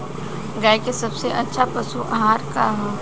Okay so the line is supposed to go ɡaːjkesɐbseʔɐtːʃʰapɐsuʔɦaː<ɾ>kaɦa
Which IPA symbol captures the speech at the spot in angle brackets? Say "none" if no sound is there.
ɾ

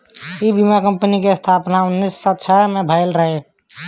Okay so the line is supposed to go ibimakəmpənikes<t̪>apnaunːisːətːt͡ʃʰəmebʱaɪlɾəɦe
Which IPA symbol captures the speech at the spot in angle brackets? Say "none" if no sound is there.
t̪ʰ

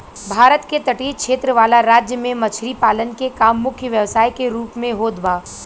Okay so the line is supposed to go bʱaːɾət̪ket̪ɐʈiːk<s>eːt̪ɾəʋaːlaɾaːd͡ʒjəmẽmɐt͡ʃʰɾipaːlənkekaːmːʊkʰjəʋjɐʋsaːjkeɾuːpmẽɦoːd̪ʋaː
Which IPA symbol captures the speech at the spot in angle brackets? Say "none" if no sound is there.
ʃ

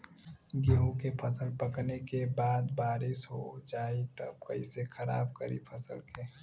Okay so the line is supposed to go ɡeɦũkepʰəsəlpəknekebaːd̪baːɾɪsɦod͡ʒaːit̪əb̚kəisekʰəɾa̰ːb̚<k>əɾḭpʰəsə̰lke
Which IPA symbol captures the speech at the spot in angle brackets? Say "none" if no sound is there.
k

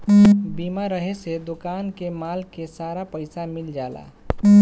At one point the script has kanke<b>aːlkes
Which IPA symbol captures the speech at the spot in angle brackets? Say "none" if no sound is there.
m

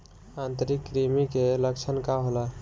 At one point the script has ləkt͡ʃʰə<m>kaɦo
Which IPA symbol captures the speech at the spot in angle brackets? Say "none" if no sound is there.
n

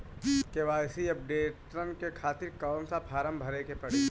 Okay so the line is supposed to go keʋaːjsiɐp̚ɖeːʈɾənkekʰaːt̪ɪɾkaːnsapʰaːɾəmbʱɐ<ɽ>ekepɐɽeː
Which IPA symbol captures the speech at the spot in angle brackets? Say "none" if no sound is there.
ɾ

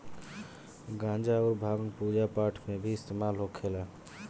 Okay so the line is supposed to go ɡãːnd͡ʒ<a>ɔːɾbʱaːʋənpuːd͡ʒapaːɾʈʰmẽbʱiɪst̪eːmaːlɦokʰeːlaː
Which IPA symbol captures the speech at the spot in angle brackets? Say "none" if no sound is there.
a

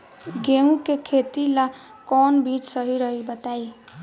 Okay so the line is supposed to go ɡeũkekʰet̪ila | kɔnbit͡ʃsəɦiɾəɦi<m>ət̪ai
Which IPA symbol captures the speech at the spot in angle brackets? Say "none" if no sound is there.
b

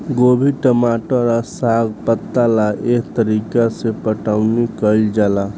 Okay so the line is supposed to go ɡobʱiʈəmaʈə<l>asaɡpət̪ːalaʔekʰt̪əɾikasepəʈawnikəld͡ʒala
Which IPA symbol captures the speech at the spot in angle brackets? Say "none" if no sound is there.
ɾ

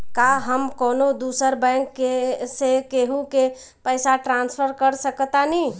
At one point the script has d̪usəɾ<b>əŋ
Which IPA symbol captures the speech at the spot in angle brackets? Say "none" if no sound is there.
b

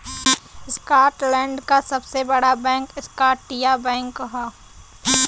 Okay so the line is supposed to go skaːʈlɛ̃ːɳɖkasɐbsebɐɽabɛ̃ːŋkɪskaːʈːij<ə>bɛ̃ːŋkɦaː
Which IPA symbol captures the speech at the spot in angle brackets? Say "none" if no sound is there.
a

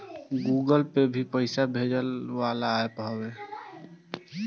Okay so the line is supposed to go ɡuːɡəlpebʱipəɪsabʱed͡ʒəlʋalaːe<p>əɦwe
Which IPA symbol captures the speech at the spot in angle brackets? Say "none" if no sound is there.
p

